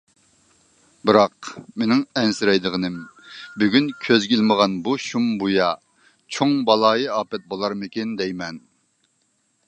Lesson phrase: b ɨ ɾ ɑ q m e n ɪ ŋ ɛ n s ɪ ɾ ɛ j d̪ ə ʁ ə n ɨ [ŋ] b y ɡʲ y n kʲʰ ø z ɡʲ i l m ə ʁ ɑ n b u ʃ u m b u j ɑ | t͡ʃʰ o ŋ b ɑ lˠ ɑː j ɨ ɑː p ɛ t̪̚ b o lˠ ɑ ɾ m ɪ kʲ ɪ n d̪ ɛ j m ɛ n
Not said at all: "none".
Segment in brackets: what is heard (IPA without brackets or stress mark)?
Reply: m